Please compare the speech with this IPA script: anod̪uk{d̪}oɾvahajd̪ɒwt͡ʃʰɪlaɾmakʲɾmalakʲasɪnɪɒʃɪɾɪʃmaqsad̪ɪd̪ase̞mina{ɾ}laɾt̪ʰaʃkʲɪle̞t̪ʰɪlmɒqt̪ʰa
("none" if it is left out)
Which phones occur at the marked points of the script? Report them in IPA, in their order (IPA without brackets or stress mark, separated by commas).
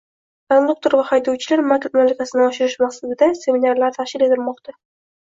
t̪, ɾ